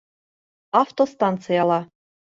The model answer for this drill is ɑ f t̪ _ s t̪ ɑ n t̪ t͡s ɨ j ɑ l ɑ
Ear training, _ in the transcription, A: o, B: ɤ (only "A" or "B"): A